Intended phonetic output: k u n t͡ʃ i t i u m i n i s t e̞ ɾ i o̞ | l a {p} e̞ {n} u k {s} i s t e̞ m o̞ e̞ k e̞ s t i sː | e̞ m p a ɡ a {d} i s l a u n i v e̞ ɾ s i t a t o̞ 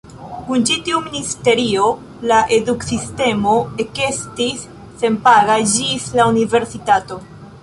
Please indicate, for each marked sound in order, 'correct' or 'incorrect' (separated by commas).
incorrect, incorrect, correct, incorrect